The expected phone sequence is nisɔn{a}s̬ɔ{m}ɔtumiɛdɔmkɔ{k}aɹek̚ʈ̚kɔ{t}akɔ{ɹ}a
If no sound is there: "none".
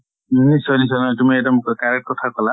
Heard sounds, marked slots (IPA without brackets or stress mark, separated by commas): i, n, k, tʰ, l